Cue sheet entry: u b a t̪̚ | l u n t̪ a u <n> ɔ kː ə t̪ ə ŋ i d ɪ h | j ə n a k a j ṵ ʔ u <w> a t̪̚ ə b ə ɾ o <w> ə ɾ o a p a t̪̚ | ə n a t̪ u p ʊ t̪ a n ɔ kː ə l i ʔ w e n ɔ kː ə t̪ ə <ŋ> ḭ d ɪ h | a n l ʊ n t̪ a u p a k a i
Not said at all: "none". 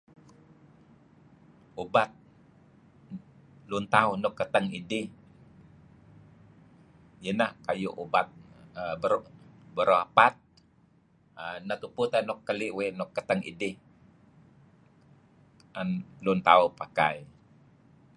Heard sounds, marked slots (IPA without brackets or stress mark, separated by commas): n, b, b, ŋ